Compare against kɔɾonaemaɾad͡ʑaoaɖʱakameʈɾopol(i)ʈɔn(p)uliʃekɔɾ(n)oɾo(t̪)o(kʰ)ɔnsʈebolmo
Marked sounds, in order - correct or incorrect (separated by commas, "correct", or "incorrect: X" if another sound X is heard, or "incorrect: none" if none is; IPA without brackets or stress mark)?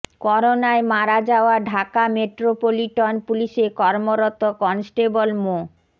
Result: correct, correct, incorrect: m, correct, incorrect: k